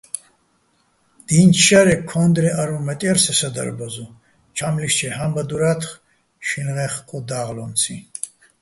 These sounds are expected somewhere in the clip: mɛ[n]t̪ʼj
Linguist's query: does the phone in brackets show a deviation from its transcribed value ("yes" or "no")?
yes